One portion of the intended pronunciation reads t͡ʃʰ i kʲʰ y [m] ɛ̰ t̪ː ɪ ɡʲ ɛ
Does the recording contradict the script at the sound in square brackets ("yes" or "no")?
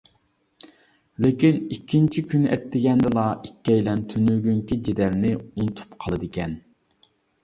yes